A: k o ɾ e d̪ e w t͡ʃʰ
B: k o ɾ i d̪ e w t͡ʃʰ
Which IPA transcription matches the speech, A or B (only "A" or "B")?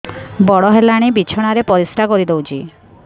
B